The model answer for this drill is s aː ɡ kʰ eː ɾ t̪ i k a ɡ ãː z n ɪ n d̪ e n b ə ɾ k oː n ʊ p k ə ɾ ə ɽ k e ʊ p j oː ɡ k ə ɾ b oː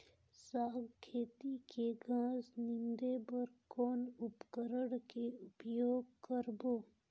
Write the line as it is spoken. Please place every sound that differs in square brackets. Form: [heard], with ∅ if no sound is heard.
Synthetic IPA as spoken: s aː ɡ kʰ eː [∅] t̪ i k [e] ɡ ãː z n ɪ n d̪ e [∅] b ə ɾ k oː n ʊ p k ə ɾ ə ɽ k e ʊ p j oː ɡ k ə ɾ b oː